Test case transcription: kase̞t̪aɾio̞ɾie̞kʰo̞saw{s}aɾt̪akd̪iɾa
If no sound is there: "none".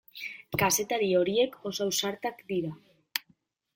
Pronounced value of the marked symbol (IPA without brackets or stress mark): s